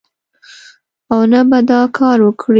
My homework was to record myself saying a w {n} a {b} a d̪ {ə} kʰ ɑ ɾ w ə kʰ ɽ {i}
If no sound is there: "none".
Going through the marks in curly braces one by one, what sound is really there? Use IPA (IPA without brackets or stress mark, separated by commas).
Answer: n, b, ɑ, i